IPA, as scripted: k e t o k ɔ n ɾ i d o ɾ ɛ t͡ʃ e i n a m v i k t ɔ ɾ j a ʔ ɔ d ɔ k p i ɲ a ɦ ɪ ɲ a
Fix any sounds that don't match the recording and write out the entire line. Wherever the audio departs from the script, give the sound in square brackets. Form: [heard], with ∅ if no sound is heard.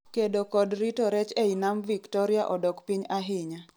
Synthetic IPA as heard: k e [d] o k ɔ [d] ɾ i [t] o ɾ ɛ t͡ʃ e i n a m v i k t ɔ ɾ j a ʔ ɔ d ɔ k p i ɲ a ɦ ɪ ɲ a